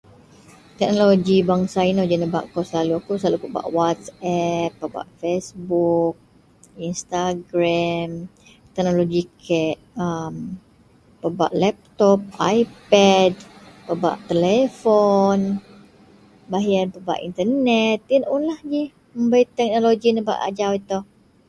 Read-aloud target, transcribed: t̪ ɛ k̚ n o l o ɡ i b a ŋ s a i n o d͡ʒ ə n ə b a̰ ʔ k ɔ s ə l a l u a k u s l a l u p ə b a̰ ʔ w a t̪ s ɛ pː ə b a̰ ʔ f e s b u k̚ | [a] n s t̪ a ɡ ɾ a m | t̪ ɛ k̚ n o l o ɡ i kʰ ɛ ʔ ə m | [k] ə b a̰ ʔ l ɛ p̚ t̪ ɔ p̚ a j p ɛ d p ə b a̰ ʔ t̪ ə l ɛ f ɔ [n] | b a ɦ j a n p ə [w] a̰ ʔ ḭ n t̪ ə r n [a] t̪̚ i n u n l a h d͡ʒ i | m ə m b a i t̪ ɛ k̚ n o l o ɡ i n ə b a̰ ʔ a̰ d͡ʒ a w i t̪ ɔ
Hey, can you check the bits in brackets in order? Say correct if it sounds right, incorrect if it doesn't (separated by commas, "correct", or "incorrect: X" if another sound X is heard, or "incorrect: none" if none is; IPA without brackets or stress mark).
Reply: incorrect: i, incorrect: p, correct, incorrect: b, incorrect: ɛ